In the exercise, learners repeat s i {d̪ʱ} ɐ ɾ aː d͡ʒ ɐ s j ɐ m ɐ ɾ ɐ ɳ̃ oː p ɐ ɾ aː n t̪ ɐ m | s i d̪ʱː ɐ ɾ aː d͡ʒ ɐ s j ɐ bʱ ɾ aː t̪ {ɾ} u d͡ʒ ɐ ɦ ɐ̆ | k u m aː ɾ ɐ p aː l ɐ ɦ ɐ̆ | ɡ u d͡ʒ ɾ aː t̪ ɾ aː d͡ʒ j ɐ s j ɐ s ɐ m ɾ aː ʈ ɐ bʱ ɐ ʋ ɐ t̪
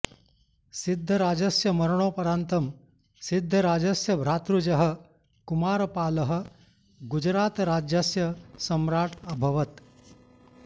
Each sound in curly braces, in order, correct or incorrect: incorrect: d̪ʱː, correct

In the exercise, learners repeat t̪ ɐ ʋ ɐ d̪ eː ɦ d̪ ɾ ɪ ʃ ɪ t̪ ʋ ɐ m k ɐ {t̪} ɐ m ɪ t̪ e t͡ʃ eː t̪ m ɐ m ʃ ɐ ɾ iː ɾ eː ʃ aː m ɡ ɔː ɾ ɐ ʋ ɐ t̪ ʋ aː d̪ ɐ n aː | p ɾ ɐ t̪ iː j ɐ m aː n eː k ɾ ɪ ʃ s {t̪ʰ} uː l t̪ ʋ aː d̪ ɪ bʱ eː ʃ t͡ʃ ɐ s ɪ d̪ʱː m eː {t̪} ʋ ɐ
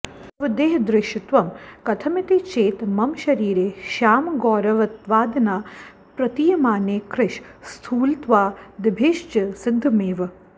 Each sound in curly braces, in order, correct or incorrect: incorrect: t̪ʰ, correct, incorrect: none

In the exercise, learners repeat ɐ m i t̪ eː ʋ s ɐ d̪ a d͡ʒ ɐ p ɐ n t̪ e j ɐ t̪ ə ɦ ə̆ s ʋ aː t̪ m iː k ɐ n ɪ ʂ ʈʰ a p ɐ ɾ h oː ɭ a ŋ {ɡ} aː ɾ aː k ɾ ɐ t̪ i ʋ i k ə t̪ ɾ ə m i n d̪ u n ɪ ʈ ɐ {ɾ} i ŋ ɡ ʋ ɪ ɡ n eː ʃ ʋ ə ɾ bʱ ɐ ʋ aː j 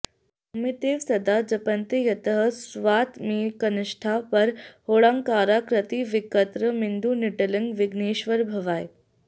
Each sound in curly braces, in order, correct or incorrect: incorrect: k, incorrect: l

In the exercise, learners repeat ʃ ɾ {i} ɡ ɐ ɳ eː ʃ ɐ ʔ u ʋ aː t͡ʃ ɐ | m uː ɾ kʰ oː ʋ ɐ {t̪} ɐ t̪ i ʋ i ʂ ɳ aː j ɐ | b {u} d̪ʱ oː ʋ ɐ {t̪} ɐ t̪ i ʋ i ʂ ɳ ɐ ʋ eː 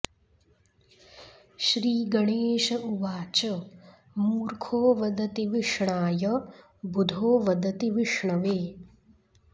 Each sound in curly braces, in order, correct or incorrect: incorrect: iː, incorrect: d̪, correct, incorrect: d̪

